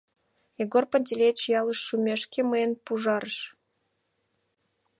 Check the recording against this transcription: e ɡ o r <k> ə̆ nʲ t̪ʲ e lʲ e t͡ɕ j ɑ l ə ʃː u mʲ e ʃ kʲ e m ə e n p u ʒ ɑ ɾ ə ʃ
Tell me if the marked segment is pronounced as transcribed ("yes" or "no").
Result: no